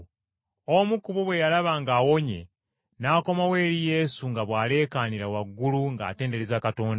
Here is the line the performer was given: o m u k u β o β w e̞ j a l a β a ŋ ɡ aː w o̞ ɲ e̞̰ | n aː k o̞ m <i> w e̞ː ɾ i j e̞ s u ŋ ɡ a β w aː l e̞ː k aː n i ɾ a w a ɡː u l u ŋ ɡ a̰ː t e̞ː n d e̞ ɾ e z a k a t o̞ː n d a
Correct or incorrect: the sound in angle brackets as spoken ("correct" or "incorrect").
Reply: incorrect